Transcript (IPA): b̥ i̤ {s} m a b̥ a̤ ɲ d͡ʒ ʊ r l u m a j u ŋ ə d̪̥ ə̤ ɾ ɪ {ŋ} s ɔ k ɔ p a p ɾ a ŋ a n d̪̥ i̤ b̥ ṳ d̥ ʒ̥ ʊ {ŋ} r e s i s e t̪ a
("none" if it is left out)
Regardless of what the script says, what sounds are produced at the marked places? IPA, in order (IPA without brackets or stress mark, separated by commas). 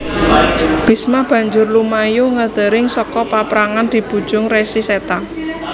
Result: s, ŋ, ŋ